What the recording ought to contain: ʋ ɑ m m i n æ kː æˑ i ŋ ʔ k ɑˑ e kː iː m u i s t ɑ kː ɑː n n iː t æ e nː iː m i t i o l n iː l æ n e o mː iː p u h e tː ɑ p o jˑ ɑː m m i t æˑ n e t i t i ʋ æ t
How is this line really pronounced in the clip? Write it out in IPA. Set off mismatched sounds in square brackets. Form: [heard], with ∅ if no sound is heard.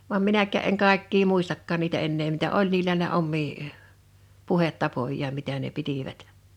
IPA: ʋ ɑ m m i n æ kː æˑ [e] ŋ ʔ k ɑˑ e kː iː m u i s t ɑ kː ɑː n n iː t æ e nː [eː] m i t [æ] o l n iː l æ n e o mː iː p u h e tː ɑ p o jˑ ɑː m m i t æˑ n e [p] i t i ʋ æ t